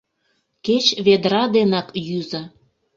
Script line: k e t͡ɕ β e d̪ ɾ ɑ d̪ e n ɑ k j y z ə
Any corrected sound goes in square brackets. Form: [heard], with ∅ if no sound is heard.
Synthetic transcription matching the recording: k e t͡ɕ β e d̪ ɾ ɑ d̪ e n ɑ k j y z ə